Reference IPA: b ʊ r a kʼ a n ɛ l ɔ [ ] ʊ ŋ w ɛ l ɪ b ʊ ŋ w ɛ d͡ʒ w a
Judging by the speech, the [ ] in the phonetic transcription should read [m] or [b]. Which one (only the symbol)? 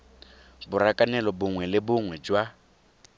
b